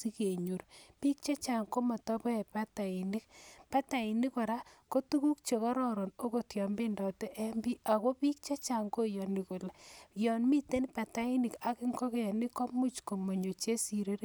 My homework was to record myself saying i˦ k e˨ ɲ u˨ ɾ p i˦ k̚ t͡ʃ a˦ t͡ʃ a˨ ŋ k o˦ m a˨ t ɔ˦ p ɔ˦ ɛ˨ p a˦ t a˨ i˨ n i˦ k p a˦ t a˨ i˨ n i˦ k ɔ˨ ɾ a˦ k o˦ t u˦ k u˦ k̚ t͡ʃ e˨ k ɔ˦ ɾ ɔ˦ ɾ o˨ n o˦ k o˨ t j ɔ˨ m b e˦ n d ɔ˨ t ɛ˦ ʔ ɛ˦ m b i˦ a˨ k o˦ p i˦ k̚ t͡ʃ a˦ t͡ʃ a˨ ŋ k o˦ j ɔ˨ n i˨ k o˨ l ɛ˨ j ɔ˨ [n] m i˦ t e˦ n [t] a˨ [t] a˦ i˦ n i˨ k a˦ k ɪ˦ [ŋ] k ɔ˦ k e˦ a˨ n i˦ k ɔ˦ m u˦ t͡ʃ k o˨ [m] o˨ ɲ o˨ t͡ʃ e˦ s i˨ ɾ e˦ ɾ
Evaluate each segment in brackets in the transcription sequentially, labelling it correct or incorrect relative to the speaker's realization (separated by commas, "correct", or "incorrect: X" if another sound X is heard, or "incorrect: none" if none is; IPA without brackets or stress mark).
correct, incorrect: p, correct, correct, correct